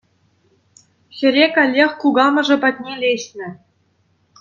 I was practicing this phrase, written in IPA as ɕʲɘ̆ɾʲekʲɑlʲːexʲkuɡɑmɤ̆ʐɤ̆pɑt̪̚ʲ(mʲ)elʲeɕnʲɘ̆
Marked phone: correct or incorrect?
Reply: incorrect